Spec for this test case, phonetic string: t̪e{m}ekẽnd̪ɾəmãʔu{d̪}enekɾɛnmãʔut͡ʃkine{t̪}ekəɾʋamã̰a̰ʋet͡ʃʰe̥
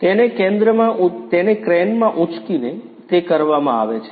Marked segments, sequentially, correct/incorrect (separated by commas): incorrect, incorrect, correct